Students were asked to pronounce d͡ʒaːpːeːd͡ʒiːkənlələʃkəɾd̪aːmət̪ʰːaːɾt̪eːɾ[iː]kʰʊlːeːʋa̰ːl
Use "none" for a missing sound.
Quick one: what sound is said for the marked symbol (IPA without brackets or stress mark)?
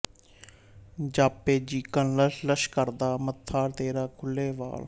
aː